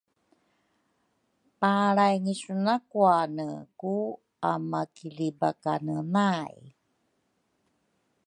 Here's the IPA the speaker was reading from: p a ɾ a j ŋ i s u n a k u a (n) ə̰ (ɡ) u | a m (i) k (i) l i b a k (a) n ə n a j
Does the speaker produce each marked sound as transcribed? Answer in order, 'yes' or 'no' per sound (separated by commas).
yes, no, no, yes, yes